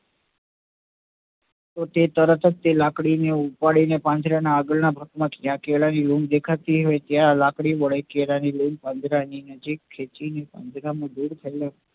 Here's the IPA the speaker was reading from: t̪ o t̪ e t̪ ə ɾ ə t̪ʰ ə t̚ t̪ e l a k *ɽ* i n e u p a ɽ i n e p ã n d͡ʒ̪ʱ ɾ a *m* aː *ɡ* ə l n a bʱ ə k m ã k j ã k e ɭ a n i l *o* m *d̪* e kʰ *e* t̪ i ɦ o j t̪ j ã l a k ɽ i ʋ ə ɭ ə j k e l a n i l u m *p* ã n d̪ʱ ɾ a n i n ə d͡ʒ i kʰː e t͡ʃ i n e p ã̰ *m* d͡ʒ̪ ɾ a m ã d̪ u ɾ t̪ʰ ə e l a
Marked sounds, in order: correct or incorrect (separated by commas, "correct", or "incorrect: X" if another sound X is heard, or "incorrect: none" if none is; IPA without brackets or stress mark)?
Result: correct, incorrect: n, correct, incorrect: u, correct, incorrect: a, correct, incorrect: n